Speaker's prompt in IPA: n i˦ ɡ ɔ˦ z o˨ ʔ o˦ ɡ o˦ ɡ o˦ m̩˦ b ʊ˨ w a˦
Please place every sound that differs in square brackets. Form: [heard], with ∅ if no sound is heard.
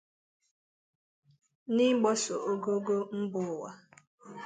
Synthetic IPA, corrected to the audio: n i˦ [ɡ͡b] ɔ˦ [s] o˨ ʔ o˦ ɡ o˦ ɡ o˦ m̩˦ b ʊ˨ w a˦